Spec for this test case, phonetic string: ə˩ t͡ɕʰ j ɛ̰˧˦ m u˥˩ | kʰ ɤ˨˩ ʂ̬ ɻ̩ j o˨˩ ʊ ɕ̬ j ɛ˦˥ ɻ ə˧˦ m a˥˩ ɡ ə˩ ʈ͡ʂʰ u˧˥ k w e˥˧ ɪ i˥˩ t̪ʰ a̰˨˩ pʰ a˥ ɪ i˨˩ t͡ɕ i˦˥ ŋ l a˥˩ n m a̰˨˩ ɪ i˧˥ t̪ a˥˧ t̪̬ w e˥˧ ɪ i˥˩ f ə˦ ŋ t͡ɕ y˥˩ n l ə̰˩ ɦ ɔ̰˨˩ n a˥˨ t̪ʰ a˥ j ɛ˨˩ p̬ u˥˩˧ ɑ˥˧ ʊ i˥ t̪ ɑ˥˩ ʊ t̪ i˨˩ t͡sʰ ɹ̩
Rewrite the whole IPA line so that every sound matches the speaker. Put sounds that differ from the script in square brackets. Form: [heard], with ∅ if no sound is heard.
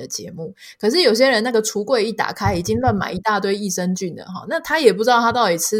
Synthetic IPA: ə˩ [t͡ɕ] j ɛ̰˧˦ m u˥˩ | kʰ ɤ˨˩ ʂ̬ ɻ̩ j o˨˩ ʊ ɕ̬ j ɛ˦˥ ɻ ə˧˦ [n] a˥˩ ɡ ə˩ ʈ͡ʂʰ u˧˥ k w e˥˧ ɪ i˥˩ [t̪] a̰˨˩ [kʰ] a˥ ɪ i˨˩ t͡ɕ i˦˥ ŋ l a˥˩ n m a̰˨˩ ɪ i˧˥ t̪ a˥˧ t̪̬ w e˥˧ ɪ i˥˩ [ʂ] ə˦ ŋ t͡ɕ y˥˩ n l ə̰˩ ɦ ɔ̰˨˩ n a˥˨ t̪ʰ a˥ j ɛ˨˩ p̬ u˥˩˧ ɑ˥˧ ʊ [a˥] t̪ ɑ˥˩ ʊ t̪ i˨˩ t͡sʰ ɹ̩